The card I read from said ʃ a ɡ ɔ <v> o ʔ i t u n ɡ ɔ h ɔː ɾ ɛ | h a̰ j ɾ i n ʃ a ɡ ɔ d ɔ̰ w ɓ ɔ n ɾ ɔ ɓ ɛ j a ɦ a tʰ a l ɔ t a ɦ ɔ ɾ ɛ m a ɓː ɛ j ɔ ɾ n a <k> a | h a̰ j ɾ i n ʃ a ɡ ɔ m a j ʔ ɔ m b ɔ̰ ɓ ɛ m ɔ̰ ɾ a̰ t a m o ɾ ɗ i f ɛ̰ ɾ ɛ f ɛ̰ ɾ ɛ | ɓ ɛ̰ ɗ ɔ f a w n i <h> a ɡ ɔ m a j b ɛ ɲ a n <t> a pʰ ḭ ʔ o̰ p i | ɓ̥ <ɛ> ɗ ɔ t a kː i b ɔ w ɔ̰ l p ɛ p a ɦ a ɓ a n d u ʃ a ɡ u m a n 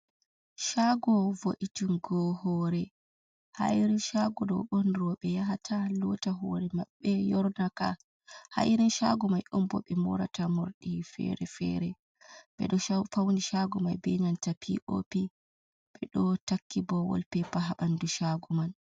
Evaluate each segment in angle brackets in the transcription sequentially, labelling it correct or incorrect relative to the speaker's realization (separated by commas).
correct, correct, incorrect, correct, correct